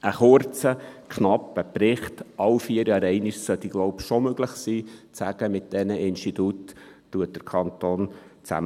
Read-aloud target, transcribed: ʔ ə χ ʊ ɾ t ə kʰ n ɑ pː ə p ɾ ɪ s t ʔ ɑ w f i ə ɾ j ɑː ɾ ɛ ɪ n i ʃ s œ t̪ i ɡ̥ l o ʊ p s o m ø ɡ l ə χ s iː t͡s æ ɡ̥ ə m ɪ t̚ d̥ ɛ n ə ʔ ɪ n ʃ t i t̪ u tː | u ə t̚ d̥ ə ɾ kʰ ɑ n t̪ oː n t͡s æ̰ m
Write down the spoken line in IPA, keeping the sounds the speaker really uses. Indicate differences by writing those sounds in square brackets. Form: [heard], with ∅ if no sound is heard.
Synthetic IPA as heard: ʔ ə χ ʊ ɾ [t͡s] ə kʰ n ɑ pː ə p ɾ ɪ [χ] t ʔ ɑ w f i ə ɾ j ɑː ɾ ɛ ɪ n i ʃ s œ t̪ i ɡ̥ l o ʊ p [ʃ] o m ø ɡ l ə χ s iː t͡s æ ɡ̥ ə m ɪ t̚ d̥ ɛ n ə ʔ ɪ n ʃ t i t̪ u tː | u ə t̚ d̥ ə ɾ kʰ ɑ n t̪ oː n t͡s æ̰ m